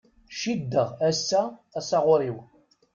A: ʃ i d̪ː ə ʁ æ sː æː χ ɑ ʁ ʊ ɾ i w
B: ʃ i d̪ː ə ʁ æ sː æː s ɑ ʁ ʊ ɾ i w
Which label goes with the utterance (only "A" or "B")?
B